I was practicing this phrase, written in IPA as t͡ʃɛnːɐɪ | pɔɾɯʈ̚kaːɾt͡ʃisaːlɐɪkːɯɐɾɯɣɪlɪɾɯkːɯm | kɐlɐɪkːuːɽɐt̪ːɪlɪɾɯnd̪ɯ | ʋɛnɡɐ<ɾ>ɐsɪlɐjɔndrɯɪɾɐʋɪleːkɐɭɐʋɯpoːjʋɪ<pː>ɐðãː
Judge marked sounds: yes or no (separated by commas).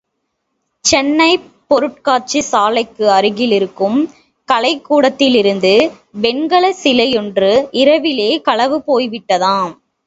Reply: no, no